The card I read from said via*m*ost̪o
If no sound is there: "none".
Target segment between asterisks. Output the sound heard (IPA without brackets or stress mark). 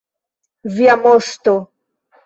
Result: m